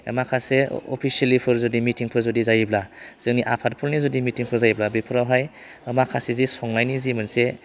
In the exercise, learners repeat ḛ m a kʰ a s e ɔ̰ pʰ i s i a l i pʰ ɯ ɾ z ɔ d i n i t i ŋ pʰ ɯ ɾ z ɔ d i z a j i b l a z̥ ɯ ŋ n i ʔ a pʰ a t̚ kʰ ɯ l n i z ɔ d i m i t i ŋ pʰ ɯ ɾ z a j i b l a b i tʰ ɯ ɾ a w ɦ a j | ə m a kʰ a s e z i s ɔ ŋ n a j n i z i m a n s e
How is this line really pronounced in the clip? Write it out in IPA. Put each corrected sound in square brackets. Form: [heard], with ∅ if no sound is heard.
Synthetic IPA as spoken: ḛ m a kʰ a s e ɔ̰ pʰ i s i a l i pʰ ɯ ɾ z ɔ d i [m] i t i ŋ pʰ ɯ ɾ z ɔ d i z a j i b l a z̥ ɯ ŋ n i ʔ a pʰ a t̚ [pʰ] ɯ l n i z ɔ d i m i t i ŋ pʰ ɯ ɾ z a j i b l a b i [pʰ] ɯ ɾ a w ɦ a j | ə m a kʰ a s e z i s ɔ ŋ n a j n i z i m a n s e